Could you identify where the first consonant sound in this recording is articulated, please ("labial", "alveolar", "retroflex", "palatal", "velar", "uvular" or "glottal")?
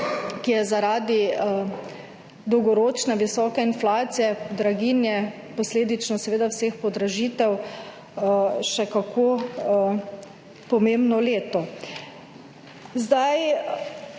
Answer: velar